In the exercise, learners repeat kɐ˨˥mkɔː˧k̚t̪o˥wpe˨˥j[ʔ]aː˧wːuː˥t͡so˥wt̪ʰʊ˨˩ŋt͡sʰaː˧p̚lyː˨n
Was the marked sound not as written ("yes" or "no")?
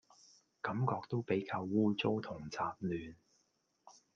yes